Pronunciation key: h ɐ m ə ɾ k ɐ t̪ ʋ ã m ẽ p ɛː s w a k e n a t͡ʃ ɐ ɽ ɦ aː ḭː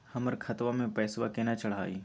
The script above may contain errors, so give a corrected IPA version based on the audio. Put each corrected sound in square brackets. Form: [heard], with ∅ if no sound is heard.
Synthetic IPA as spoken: h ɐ m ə ɾ [kʰ] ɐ t̪ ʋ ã m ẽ p ɛː s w a k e n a t͡ʃ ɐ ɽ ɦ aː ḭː